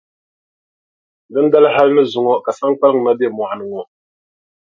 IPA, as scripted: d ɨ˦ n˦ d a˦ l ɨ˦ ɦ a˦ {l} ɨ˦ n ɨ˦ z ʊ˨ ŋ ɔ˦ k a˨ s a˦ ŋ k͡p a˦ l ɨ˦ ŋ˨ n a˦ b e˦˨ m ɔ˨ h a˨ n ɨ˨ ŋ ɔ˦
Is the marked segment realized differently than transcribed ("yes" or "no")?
no